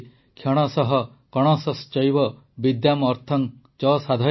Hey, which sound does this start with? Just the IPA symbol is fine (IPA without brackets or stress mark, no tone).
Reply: kʰ